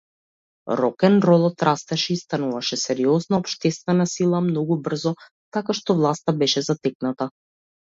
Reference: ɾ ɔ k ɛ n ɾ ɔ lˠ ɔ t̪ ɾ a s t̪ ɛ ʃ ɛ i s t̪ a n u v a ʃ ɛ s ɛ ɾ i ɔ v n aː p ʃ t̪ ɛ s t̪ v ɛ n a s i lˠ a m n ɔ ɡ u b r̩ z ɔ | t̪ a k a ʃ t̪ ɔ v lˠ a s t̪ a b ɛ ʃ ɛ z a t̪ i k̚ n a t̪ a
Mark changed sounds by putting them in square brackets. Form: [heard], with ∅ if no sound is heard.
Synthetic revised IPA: ɾ ɔ k ɛ n ɾ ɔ lˠ ɔ t̪ ɾ a s t̪ ɛ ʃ ɛ i s t̪ a n u v a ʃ ɛ s ɛ ɾ i ɔ [z] n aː p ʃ t̪ ɛ s t̪ v ɛ n a s i lˠ a m n ɔ ɡ u b r̩ z ɔ | t̪ a k a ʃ t̪ ɔ v lˠ a s t̪ a b ɛ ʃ ɛ z a t̪ [ɛ] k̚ n a t̪ a